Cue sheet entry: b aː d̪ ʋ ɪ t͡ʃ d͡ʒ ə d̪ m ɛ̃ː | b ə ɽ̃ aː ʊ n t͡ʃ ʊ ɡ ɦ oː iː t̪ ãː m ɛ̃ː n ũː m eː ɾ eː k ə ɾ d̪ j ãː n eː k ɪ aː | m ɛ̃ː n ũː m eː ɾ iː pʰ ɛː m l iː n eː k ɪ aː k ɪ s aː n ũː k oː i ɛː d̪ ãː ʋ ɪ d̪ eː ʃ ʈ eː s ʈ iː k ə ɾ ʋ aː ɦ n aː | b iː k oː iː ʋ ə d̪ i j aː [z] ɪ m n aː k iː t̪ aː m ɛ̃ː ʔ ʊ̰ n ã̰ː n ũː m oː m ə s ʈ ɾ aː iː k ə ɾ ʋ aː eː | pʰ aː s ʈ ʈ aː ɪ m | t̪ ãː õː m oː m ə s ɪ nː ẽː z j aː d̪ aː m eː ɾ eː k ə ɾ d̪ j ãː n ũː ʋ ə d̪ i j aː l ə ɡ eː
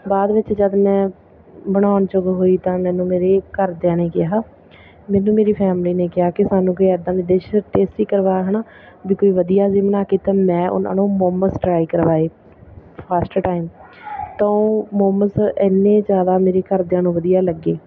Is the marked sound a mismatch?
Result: no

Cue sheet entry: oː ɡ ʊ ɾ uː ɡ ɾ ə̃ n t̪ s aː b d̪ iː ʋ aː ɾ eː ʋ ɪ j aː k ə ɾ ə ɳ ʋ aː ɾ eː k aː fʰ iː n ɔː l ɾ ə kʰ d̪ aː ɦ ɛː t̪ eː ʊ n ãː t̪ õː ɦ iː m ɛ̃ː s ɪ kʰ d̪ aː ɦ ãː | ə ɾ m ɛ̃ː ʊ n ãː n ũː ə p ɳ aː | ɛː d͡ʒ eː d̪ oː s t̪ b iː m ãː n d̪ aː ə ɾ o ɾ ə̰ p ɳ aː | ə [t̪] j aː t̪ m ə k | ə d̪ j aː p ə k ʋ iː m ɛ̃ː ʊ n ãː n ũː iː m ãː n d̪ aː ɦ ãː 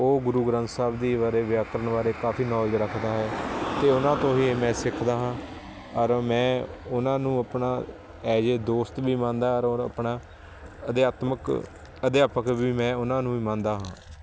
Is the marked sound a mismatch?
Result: yes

